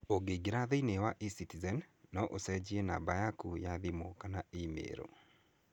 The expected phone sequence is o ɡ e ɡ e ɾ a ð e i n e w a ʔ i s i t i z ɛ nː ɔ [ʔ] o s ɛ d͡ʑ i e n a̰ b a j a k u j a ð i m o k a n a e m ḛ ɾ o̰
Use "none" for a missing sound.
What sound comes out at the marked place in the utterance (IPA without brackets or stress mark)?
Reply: ʔ